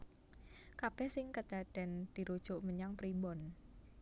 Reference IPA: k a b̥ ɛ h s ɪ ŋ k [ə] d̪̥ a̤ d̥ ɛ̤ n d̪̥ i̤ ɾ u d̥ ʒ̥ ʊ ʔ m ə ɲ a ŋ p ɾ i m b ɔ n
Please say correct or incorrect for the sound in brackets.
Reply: correct